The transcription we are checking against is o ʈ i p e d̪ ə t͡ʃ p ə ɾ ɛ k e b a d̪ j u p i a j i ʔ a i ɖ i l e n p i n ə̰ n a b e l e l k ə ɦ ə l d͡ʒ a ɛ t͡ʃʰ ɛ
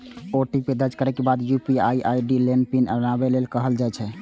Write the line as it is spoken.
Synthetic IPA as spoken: o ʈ i p e d̪ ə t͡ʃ k ə ɾ ɛ k e b a d̪ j u p i a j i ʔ a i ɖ i l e n p i n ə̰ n a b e l e l k ə ɦ ə l d͡ʒ a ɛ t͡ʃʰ ɛ